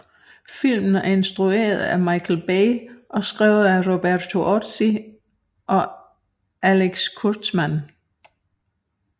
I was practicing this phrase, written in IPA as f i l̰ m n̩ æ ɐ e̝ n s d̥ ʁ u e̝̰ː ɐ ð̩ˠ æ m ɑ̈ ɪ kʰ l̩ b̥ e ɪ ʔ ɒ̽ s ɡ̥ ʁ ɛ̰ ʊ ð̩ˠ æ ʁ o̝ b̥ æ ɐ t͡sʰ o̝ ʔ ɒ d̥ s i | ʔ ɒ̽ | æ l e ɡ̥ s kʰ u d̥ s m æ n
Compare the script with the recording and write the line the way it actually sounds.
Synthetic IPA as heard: f i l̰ m n̩ æ ɐ e̝ n s d̥ ʁ u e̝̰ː ɐ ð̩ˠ æ m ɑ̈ ɪ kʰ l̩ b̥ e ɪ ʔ ɒ̽ s ɡ̥ ʁ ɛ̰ ʊ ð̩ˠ æ ʁ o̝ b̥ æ ɐ t͡sʰ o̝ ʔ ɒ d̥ s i | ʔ ɒ̽ | æ l e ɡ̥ s kʰ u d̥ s m æ n

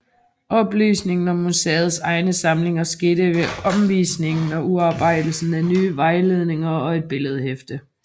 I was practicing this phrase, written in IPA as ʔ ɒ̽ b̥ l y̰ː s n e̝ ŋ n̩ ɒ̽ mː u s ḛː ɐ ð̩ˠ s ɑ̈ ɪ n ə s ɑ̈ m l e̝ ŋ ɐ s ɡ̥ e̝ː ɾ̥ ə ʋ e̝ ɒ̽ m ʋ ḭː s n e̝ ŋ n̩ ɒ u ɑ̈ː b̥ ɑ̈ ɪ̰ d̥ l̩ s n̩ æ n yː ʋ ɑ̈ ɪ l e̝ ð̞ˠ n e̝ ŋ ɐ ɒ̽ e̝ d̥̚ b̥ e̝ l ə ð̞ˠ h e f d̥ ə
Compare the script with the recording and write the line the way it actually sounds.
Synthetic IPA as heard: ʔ ɒ̽ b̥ l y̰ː s n e̝ ŋ n̩ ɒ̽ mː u s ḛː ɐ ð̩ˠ s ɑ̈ ɪ n ə s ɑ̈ m l e̝ ŋ ɐ s ɡ̥ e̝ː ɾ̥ ə ʋ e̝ ɒ̽ m ʋ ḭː s n e̝ ŋ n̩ ɒ u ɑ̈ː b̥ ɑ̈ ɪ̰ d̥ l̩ s n̩ æ n yː ʋ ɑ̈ ɪ l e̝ ð̞ˠ n e̝ ŋ ɐ ɒ̽ e̝ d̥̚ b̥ e̝ l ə ð̞ˠ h e f d̥ ə

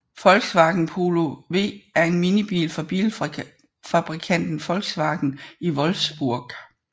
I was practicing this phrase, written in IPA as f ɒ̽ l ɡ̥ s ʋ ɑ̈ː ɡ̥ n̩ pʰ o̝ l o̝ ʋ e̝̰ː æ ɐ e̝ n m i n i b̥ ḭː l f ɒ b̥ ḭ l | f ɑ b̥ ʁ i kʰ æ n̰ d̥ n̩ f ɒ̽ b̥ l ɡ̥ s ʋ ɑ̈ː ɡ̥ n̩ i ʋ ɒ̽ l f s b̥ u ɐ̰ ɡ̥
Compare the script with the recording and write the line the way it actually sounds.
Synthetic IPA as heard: f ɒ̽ l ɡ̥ s ʋ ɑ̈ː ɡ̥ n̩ pʰ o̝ l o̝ ʋ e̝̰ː æ ɐ e̝ n m i n i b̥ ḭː l f ɒ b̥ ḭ l | f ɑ b̥ ʁ i kʰ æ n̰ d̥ n̩ f ɒ̽ l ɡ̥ s ʋ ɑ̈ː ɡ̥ n̩ i ʋ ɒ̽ l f s b̥ u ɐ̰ ɡ̥

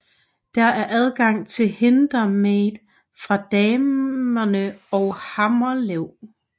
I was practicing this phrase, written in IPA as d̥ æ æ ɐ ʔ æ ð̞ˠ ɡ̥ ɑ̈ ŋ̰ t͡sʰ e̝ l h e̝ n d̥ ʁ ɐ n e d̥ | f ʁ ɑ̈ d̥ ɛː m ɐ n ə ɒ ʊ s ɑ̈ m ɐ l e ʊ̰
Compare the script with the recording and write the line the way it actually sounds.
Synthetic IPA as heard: d̥ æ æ ɐ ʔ æ ð̞ˠ ɡ̥ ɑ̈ ŋ̰ t͡sʰ e̝ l h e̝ n d̥ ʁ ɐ m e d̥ | f ʁ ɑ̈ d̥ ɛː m ɐ n ə ɒ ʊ h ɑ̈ m ɐ l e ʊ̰

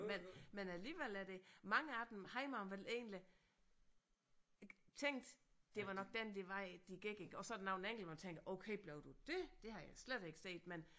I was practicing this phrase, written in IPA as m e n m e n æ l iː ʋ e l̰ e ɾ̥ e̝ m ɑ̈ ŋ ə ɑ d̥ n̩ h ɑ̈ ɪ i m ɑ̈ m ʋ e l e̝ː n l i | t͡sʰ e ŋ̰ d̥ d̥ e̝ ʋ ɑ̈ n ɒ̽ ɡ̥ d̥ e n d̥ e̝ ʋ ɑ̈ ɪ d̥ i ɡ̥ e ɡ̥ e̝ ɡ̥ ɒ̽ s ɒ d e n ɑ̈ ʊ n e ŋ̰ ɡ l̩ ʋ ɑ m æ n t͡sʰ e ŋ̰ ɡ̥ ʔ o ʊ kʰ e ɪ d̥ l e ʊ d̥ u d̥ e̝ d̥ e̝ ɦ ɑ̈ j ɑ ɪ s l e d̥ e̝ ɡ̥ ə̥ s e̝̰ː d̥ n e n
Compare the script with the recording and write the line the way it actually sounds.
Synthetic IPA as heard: m e n m e n æ l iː ʋ e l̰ æ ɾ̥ e̝ m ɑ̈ ŋ ə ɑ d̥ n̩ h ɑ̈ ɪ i m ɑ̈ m ʋ e l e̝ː n l i | t͡sʰ e ŋ̰ d̥ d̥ e̝ ʋ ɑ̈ n ɒ̽ ɡ̥ d̥ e n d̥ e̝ ʋ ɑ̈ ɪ d̥ i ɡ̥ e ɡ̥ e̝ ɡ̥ ɒ̽ s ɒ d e n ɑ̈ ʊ n e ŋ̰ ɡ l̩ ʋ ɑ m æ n t͡sʰ e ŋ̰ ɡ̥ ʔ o ʊ kʰ e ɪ b̥ l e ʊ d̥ u d̥ e̝ d̥ e̝ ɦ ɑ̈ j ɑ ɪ s l e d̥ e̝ ɡ̥ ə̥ s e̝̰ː d̥ m e n

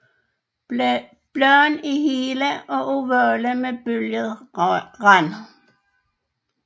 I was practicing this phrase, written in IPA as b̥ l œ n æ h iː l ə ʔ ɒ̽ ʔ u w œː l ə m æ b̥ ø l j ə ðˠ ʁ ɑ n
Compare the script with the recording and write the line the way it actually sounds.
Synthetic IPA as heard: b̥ l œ n i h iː l ə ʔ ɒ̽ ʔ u ʋ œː l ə m e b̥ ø l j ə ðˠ ʁ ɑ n

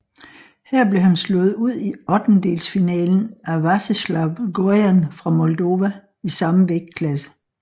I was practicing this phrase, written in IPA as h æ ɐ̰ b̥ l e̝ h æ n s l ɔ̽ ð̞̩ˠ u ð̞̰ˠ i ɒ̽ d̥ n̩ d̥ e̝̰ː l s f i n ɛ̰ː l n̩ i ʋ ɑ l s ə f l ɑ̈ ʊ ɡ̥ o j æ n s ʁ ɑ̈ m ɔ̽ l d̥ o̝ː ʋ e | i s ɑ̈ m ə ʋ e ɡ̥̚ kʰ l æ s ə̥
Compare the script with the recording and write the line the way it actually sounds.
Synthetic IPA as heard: h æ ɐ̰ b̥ l e̝ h æ n s l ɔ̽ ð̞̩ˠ u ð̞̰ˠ i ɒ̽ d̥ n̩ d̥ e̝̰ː l s f i n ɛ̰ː l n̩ æ ʋ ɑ s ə s l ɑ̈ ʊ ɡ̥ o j æ n f ʁ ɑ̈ m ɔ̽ l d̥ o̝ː ʋ æ | i s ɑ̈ m ə ʋ e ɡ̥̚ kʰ l æ s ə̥

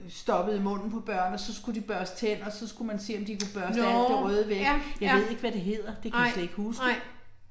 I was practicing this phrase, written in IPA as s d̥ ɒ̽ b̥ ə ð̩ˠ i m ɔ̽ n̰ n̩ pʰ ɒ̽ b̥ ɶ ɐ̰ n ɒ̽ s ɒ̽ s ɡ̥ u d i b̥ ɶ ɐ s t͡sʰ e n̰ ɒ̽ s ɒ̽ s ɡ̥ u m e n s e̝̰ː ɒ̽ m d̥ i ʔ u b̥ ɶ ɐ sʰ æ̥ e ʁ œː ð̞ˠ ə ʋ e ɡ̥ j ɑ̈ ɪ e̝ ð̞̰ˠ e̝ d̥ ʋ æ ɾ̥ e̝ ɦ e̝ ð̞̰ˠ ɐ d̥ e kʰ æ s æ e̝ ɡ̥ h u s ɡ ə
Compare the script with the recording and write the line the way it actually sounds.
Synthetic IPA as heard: s d̥ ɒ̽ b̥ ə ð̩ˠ i m ɔ̽ n̰ n̩ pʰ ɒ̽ b̥ ɶ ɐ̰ n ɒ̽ s ɒ̽ s ɡ̥ u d i b̥ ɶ ɐ s t͡sʰ e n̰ ɒ̽ s ɒ̽ s ɡ̥ u m æ n s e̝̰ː ɒ̽ m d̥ i k u b̥ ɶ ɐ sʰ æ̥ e ʁ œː ð̞ˠ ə ʋ e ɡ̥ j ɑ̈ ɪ e̝ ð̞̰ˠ e̝ ɡ̥ ʋ æ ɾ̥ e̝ ɦ e̝ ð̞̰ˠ ɐ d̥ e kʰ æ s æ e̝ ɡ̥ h u s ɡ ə

